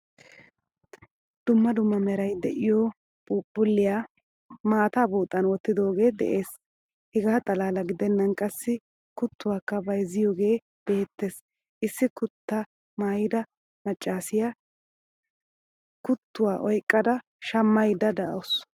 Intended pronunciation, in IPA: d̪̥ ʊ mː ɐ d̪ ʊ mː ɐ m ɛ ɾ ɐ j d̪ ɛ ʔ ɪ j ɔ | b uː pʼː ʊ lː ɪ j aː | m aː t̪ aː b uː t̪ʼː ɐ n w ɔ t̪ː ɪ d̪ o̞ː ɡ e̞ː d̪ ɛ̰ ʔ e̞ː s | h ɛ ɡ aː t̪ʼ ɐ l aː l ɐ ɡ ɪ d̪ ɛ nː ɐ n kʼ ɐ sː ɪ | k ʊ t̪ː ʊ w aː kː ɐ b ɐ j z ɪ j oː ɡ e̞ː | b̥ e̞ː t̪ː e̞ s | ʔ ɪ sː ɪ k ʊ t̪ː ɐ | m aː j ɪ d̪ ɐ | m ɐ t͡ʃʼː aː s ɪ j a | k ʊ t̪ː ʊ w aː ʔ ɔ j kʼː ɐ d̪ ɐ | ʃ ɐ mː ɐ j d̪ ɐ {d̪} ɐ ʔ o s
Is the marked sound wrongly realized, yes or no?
no